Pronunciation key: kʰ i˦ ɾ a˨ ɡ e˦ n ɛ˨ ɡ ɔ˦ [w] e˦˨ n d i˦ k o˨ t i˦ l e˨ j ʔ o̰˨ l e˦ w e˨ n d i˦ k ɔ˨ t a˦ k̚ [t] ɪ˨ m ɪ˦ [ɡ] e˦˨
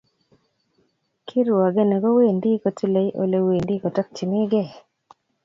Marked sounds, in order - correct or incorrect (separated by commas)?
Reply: correct, incorrect, correct